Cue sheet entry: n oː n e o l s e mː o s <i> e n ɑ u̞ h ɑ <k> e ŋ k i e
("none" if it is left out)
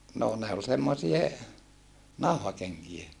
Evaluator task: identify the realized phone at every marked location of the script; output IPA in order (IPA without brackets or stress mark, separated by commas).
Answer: i, k